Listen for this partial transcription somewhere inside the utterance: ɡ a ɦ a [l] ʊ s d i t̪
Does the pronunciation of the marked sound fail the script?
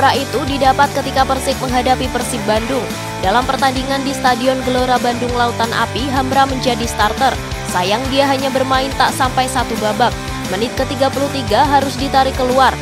yes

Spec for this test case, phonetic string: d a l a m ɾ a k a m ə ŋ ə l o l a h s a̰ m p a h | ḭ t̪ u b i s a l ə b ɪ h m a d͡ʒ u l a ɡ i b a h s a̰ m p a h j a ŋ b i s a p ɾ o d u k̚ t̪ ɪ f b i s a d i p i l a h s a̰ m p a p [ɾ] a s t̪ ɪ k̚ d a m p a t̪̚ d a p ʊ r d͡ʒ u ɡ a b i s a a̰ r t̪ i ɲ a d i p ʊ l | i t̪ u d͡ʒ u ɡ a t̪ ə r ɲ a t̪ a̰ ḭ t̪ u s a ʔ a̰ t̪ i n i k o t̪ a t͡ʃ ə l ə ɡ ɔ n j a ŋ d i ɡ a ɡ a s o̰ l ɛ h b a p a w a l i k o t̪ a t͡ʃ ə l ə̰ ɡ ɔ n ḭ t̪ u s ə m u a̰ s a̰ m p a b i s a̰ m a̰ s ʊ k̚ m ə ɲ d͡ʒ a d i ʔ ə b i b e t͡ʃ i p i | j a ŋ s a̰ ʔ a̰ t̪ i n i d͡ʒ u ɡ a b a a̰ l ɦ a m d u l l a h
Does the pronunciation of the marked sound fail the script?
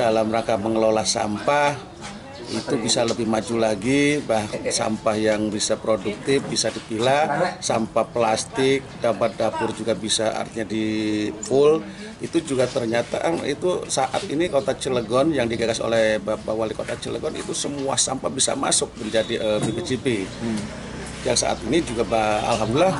yes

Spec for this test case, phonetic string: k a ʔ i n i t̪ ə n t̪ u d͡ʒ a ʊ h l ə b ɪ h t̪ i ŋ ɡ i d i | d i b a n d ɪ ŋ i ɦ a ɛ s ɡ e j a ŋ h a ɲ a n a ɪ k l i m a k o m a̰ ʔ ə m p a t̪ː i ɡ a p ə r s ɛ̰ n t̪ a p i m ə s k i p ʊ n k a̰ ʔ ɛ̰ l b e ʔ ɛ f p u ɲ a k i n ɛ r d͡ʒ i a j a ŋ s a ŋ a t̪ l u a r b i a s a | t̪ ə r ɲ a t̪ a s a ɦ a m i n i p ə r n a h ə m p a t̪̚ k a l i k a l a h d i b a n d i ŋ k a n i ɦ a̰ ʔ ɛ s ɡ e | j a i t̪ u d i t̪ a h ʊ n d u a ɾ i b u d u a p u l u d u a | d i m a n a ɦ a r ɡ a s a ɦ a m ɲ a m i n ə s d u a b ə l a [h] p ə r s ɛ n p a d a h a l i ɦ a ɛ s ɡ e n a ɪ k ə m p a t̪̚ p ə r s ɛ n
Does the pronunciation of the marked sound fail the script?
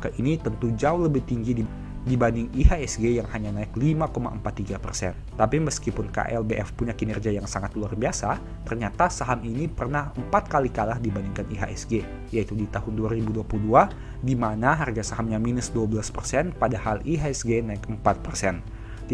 yes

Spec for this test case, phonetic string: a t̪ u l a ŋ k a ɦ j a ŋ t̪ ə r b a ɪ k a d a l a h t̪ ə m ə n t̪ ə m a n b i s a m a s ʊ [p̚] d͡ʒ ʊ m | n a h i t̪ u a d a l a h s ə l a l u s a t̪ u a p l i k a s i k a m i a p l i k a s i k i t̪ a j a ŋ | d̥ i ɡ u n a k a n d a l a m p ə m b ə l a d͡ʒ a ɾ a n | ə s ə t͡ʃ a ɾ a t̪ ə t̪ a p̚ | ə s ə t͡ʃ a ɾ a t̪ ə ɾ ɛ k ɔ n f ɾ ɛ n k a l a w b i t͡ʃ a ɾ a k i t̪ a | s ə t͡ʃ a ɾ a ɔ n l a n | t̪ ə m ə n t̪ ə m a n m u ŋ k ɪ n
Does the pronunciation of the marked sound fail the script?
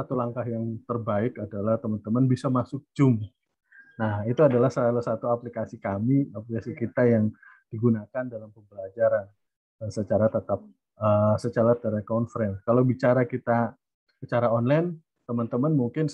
yes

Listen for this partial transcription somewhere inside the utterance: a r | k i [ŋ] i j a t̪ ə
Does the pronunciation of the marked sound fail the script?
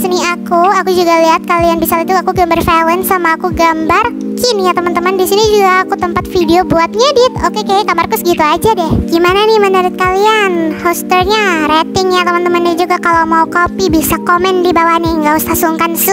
yes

